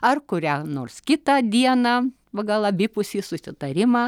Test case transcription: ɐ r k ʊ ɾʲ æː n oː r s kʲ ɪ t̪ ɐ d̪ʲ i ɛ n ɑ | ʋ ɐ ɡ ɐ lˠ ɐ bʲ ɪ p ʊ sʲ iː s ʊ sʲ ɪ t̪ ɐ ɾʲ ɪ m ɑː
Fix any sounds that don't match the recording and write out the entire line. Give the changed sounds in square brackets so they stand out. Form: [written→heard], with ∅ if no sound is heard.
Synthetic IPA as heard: ɐ r k ʊ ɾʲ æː n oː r s kʲ ɪ t̪ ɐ d̪ʲ i ɛ n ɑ | ʋ ɐ ɡ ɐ lˠ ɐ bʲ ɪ p ʊ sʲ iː s ʊ sʲ ɪ t̪ ɐ ɾʲ ɪ m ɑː